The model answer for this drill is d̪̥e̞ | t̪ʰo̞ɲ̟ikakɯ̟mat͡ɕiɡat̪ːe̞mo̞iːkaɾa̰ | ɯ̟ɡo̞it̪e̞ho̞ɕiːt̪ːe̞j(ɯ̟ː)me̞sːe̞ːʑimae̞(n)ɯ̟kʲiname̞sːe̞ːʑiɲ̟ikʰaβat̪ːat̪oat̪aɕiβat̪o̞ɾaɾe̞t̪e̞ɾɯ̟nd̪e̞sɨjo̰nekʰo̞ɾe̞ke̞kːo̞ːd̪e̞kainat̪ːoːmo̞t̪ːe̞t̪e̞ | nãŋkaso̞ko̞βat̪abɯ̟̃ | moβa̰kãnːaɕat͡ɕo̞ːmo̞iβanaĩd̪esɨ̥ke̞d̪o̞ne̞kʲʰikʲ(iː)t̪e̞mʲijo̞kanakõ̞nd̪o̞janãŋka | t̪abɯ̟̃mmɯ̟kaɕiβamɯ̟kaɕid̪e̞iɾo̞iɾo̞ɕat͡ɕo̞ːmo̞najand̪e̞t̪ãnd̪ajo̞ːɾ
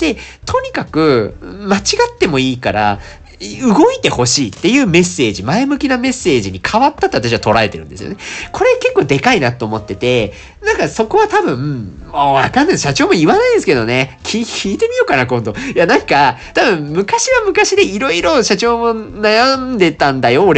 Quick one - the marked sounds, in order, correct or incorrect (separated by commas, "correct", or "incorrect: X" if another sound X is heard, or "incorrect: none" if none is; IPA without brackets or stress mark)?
correct, incorrect: m, correct